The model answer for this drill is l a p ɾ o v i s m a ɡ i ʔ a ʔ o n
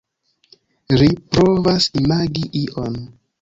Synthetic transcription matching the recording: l i p ɾ o v a s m a ɡ i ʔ i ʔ o n